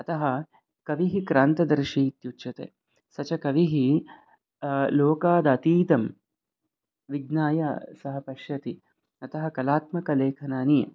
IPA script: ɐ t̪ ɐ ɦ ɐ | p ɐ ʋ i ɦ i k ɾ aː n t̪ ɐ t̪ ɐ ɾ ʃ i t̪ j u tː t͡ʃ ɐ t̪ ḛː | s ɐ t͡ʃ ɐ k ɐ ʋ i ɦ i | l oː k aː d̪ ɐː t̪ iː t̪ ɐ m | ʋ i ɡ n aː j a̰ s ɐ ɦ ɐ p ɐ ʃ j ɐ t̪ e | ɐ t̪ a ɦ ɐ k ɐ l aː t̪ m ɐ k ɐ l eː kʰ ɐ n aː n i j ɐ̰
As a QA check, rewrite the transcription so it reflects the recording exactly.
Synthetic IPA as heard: ɐ t̪ ɐ ɦ ɐ | k ɐ ʋ i ɦ i k ɾ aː n t̪ ɐ d̪ ɐ ɾ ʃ i t̪ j u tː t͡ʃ ɐ t̪ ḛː | s ɐ t͡ʃ ɐ k ɐ ʋ i ɦ i | l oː k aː d̪ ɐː t̪ iː t̪ ɐ m | ʋ i ɡ n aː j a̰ s ɐ ɦ ɐ p ɐ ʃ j ɐ t̪ i | ɐ t̪ ɐ ɦ ɐ k ɐ l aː t̪ m ɐ k ɐ l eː kʰ ɐ n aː n i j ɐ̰